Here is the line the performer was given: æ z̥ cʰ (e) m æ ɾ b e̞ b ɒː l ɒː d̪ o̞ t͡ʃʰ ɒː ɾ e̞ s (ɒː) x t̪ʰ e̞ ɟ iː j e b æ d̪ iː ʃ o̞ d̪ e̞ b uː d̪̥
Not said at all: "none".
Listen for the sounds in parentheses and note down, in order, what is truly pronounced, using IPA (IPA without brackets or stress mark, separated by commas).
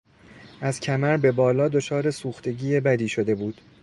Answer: æ, uː